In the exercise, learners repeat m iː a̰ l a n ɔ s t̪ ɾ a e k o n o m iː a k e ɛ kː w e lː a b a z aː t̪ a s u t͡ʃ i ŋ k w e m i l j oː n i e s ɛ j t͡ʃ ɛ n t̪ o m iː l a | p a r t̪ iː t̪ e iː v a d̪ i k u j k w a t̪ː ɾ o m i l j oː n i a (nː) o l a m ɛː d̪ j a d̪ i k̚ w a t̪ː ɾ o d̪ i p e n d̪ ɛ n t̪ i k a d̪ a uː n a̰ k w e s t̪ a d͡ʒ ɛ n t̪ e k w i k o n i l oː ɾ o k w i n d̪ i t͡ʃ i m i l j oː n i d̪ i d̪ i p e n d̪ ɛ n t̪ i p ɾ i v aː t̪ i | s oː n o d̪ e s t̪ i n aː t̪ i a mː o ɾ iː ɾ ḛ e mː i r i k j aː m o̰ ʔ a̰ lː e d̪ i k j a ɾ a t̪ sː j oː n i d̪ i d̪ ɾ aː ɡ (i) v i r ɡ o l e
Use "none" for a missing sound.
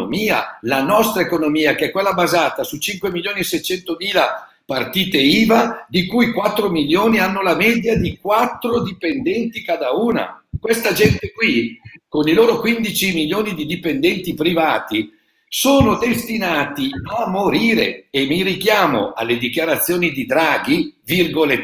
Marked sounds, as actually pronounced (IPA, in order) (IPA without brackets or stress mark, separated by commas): nː, i